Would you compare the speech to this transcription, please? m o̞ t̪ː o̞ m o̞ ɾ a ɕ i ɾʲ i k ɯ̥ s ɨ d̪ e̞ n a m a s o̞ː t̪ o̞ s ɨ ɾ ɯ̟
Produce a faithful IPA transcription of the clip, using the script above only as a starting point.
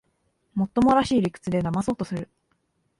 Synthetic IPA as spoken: m o̞ t̪ː o̞ m o̞ ɾ a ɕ iː ɾʲ i k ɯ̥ t͡s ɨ d̪ e̞ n a m a s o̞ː t̪ o̞ s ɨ ɾ ɯ̟